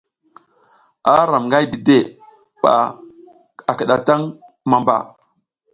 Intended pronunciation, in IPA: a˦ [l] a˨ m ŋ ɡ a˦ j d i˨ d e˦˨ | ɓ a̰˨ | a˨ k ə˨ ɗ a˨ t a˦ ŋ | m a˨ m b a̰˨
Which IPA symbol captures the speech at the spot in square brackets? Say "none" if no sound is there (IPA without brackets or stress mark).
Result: ɾ